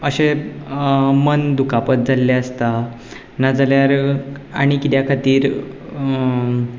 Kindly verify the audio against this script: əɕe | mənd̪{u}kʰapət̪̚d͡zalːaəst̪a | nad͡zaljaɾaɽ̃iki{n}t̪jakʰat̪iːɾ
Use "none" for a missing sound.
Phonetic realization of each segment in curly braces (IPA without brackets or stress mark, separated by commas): u, none